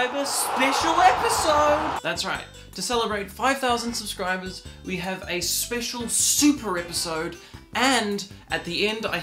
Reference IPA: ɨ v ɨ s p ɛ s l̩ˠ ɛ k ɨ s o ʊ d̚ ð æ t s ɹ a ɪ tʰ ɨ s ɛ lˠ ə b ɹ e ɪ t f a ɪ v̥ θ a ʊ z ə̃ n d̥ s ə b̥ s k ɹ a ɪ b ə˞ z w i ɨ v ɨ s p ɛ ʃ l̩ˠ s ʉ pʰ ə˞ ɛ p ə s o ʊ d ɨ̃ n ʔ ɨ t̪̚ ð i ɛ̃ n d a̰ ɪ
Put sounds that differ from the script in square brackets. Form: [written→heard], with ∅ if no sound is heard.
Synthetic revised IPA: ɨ v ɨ s p ɛ [s→ʃ] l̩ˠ ɛ [k→p] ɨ s o ʊ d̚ ð æ t s ɹ a ɪ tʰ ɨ s ɛ lˠ ə b ɹ e ɪ t f a ɪ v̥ θ a ʊ z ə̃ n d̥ s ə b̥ s k ɹ a ɪ b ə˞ z w i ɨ v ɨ s p ɛ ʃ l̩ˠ s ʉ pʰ ə˞ ɛ p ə s o ʊ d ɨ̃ n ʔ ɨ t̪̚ ð i ɛ̃ n d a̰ ɪ